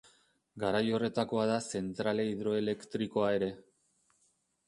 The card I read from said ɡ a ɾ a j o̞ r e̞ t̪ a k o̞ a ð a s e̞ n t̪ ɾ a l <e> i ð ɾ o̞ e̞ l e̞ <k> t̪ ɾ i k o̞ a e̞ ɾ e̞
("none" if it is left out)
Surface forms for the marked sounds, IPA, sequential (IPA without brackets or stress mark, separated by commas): e, k